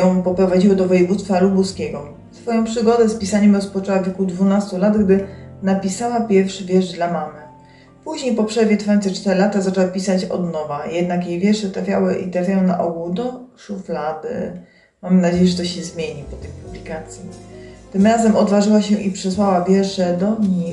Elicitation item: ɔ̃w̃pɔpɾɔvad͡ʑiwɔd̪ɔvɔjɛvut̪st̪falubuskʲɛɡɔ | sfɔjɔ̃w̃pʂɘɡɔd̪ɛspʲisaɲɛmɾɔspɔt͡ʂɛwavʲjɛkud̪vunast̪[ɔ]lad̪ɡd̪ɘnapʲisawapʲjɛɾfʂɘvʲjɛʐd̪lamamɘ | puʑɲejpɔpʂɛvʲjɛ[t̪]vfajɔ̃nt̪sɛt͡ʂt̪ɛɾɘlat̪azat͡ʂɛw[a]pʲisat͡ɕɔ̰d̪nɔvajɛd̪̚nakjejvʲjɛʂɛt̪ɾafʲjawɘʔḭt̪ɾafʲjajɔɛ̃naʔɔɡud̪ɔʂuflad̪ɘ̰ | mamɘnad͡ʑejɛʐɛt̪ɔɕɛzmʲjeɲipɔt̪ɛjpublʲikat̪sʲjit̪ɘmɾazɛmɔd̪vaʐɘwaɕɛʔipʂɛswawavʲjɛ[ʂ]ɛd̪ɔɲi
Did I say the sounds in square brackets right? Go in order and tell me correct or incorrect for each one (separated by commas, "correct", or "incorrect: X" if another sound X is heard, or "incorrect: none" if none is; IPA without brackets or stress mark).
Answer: incorrect: u, correct, correct, correct